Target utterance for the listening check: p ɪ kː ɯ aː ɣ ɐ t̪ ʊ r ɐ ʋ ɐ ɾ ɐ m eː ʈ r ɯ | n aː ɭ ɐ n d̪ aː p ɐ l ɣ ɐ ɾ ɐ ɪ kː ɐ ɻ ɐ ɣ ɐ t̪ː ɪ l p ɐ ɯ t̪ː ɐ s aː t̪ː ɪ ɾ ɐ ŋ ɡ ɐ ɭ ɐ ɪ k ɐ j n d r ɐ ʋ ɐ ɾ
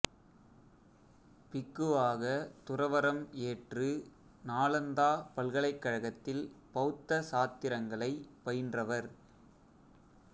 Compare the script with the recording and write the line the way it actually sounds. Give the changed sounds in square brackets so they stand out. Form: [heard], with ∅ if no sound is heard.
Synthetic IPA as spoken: p ɪ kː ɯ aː ɣ ɐ t̪ ʊ r ɐ ʋ ɐ ɾ ɐ m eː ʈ r ɯ | n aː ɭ ɐ n d̪ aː p ɐ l ɣ ɐ [ɭ] ɐ ɪ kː ɐ ɻ ɐ ɣ ɐ t̪ː ɪ l p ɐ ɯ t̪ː ɐ s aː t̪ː ɪ ɾ ɐ ŋ ɡ ɐ ɭ ɐ ɪ [p] ɐ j n d r ɐ ʋ ɐ ɾ